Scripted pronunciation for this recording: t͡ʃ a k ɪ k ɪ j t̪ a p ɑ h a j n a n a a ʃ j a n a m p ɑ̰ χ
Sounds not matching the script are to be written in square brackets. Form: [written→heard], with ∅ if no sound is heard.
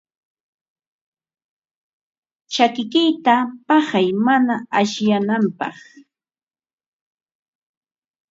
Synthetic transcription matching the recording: t͡ʃ a k ɪ k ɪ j t̪ a p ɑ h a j [n→m] a n a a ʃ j a n a m p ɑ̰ χ